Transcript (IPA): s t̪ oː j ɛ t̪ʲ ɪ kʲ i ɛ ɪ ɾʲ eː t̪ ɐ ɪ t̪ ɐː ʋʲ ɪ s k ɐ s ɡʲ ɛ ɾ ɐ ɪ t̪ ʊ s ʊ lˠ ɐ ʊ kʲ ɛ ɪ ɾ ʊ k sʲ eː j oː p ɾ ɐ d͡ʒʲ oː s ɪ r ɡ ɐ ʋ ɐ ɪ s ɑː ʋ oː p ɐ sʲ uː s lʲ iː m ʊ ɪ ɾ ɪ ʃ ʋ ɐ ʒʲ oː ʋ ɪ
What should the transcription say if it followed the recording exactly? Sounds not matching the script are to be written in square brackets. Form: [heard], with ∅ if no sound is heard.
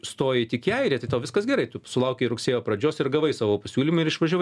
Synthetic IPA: s t̪ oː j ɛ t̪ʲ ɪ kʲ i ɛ ɪ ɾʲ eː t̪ ɐ ɪ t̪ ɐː ʋʲ ɪ s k ɐ s ɡʲ ɛ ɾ ɐ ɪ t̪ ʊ s ʊ lˠ ɐ ʊ kʲ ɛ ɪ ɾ ʊ k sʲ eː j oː p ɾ ɐ d͡ʒʲ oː s ɪ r ɡ ɐ ʋ ɐ ɪ s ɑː ʋ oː p ɐ sʲ uː [∅] lʲ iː m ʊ ɪ ɾ ɪ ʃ ʋ ɐ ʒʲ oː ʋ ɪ